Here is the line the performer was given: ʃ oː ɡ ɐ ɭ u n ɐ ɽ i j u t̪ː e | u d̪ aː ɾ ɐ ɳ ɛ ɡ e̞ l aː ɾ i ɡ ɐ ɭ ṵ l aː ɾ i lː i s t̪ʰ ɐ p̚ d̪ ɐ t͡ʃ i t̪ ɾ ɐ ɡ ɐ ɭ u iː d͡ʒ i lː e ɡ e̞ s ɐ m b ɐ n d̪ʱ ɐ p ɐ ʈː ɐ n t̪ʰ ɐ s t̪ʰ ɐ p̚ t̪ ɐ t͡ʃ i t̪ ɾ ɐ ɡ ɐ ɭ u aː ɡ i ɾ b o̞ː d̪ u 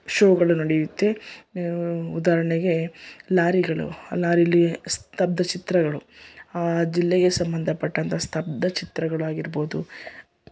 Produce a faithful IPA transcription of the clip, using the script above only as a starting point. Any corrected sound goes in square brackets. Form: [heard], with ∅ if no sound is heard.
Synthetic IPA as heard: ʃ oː ɡ ɐ ɭ u n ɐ ɽ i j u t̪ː e | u d̪ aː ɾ ɐ ɳ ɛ ɡ e̞ l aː ɾ i ɡ ɐ ɭ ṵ l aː ɾ i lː i s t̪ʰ ɐ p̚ d̪ ɐ t͡ʃ i t̪ ɾ ɐ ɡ ɐ ɭ u [aː] d͡ʒ i lː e ɡ e̞ s ɐ m b ɐ n d̪ʱ ɐ p ɐ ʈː ɐ n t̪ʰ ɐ s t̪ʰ ɐ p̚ [d̪] ɐ t͡ʃ i t̪ ɾ ɐ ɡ ɐ ɭ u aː ɡ i ɾ b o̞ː d̪ u